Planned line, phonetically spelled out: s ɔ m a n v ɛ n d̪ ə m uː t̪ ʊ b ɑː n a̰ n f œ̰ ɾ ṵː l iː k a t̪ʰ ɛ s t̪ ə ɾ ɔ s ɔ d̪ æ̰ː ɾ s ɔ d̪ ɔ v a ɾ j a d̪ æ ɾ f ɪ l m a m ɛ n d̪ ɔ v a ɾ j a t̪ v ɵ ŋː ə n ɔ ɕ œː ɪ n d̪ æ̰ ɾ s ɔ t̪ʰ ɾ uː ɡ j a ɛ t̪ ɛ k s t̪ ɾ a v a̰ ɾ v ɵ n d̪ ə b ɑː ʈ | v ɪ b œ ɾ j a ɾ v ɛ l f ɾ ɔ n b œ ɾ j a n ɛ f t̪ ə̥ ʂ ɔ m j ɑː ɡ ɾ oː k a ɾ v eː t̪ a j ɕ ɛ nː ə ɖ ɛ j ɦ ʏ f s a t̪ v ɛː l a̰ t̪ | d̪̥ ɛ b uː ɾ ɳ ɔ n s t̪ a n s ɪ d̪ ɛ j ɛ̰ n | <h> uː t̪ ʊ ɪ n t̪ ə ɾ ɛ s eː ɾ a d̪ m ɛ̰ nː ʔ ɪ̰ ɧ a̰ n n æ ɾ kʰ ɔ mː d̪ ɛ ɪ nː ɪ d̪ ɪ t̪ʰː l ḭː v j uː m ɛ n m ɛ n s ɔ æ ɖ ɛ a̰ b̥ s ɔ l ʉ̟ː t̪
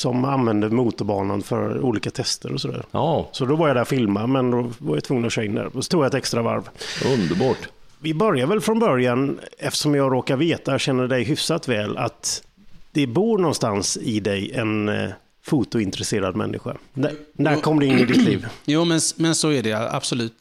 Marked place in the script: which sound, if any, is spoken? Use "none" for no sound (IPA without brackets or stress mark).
f